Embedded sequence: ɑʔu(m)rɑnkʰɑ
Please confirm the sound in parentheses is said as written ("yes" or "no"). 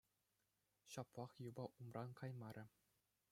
yes